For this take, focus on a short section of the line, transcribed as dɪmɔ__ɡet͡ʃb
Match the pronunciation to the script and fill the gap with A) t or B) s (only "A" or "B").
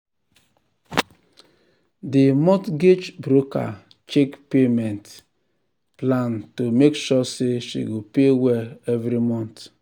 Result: A